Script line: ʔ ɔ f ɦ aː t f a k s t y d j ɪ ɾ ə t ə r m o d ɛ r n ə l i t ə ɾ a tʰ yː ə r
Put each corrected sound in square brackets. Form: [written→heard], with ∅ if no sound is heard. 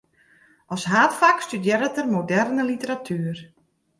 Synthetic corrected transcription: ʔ ɔ [f→s] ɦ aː t f a k s t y d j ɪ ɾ ə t ə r m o d ɛ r n ə l i t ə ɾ a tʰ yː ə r